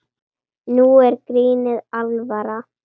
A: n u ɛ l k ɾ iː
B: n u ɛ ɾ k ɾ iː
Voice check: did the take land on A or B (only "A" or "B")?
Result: B